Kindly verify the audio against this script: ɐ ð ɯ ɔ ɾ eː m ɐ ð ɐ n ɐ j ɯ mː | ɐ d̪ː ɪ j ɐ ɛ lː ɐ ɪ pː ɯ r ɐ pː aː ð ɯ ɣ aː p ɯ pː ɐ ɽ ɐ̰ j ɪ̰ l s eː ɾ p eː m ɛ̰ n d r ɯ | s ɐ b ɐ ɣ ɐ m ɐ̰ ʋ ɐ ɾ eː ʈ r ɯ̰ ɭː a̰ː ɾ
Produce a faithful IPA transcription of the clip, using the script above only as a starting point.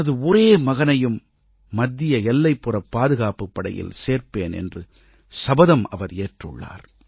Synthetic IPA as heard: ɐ ð ɯ ɔ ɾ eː m ɐ ɣ ɐ n ɐ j ɯ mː | ɐ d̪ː ɪ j ɐ ɛ lː ɐ ɪ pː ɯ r ɐ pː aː ð ɯ ɣ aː p ɯ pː ɐ ɽ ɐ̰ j ɪ̰ l s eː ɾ p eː n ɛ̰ n d r ɯ | s ɐ b ɐ ð ɐ m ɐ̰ ʋ ɐ ɾ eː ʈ r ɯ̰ ɭː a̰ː ɾ